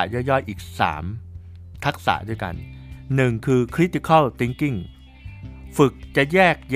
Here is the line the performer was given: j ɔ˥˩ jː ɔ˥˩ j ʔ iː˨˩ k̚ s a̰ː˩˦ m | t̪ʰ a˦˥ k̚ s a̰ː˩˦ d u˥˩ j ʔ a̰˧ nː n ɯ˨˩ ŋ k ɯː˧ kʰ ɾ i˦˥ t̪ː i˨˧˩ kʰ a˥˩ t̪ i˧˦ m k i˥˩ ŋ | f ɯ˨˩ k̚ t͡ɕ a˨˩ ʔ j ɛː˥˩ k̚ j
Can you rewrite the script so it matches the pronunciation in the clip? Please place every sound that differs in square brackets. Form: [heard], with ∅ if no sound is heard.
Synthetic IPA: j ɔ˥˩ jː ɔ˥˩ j ʔ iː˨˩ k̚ s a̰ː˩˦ m | t̪ʰ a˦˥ k̚ s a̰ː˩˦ d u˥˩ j [k] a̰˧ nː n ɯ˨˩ ŋ [kʰ] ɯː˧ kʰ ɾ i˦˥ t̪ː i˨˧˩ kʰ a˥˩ t̪ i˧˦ [ŋ] k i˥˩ ŋ | f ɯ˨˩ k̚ t͡ɕ a˨˩ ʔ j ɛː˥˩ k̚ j